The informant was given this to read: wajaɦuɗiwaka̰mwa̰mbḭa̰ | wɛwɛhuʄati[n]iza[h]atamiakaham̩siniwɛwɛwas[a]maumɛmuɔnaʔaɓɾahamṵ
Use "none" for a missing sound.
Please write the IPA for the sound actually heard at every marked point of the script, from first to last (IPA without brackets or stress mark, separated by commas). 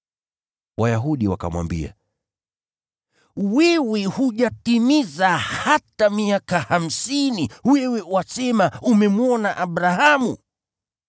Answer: m, h, ɛ